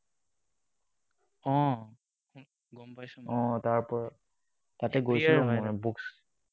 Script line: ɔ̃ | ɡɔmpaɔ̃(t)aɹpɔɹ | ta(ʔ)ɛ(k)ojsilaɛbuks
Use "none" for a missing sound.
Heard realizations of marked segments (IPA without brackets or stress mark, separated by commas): t, t, ɡ